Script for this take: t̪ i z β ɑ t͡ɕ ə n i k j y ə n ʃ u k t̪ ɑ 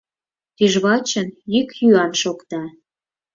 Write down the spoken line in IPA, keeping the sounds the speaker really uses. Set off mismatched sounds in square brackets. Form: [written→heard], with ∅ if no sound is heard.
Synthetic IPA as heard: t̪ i [z→ʒ] β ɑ t͡ɕ ə n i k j y [ə→ɑ] n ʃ [u→o] k t̪ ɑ